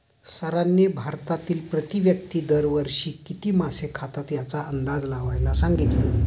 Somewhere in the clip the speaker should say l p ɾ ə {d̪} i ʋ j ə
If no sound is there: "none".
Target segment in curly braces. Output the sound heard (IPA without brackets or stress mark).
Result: t̪